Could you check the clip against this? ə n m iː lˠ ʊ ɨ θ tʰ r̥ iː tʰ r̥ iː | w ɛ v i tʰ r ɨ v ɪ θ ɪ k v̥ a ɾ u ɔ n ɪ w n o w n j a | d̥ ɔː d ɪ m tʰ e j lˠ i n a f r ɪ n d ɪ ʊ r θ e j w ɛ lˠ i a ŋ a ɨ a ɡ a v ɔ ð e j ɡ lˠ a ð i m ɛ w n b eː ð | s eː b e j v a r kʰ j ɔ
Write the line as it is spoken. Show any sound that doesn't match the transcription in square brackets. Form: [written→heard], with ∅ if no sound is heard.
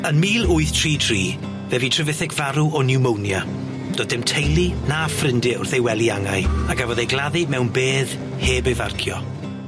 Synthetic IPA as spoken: ə n m iː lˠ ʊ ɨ θ tʰ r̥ iː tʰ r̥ iː | [w→v] ɛ v i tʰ r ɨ v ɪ θ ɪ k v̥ a ɾ u ɔ n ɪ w [n→m] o w n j a | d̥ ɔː d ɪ m tʰ e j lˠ i n a f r ɪ n d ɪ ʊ r θ e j w ɛ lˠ i a ŋ a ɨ a ɡ a v ɔ ð e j ɡ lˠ a ð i m ɛ w n b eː ð | [s→h] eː b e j v a r kʰ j ɔ